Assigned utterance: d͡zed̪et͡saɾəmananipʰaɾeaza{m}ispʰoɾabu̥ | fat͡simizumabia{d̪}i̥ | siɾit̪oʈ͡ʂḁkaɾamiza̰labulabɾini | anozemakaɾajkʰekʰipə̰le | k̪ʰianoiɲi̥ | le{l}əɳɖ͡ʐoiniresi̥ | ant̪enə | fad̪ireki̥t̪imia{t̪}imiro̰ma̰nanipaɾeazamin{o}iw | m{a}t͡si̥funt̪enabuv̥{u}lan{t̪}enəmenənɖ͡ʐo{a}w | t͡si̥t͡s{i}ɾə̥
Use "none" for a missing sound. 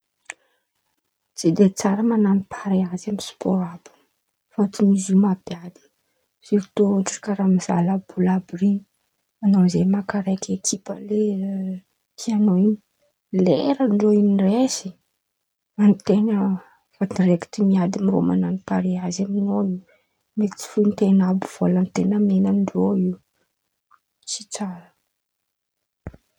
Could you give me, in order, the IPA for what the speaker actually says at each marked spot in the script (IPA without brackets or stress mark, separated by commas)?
m, d̪, ɾ, d̪, o, e, o, t̪, i, a